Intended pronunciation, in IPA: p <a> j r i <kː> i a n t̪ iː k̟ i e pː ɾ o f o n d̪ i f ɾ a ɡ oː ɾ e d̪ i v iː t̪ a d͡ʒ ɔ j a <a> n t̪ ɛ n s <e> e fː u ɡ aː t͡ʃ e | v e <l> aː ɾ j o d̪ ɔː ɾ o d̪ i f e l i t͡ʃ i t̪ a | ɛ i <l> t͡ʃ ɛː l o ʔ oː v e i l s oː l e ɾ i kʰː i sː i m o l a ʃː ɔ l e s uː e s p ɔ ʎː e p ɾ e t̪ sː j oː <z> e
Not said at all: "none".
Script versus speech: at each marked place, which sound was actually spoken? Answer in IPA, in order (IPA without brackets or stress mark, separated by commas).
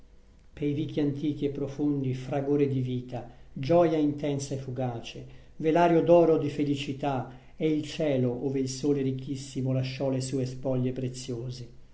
e, kː, i, a, l, l, z